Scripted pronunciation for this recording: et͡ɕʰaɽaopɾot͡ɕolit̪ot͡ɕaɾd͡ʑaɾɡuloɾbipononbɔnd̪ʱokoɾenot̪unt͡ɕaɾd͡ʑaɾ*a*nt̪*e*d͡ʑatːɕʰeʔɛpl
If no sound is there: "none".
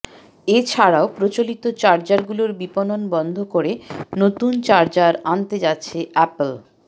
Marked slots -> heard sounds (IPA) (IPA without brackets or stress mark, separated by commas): a, e